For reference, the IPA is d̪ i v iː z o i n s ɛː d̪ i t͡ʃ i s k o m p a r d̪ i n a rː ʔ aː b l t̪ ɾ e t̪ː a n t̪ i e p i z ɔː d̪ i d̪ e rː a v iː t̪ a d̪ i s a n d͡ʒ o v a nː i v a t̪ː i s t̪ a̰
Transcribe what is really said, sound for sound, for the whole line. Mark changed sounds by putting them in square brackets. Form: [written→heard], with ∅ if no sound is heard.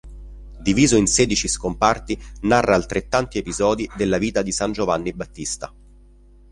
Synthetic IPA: d̪ i v iː z o i n s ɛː d̪ i t͡ʃ i s k o m p a r [d̪→t̪] i n a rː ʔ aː [b→∅] l t̪ ɾ e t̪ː a n t̪ i e p i z ɔː d̪ i d̪ e [rː→lː] a v iː t̪ a d̪ i s a n d͡ʒ o v a nː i [v→b] a t̪ː i s t̪ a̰